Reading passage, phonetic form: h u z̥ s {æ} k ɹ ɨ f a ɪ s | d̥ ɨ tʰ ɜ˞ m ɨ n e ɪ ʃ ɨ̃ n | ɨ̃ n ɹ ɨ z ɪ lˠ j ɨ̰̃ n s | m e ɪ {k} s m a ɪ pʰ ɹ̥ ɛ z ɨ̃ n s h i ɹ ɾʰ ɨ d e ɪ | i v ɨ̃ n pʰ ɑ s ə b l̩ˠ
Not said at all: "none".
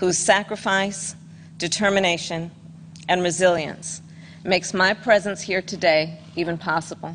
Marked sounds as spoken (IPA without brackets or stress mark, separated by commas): æ, k